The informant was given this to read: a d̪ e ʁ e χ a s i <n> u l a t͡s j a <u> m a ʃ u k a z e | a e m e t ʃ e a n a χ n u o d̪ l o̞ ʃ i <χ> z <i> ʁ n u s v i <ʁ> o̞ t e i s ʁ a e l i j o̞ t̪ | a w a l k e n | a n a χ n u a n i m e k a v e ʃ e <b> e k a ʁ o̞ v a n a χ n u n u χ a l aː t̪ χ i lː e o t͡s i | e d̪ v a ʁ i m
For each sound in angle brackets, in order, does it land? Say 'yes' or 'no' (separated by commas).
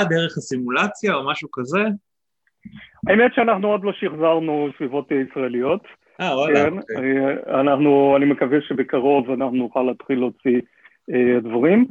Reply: no, no, yes, no, no, yes